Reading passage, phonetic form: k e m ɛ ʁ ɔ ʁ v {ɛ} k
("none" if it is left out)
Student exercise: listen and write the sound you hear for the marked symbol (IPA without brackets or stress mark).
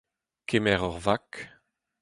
a